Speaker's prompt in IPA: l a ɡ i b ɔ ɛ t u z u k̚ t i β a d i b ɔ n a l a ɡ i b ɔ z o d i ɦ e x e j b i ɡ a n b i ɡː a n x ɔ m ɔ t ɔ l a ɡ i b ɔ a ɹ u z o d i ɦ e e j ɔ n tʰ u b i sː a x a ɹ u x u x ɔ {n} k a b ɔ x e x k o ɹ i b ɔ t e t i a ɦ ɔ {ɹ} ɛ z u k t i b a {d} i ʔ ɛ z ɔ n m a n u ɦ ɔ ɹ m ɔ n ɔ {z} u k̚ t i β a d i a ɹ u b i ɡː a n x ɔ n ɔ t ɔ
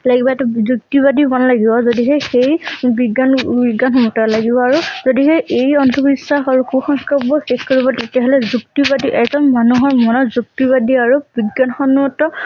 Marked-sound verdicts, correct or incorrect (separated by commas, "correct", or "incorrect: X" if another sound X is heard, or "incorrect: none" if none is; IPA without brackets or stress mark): incorrect: ŋ, incorrect: l, correct, correct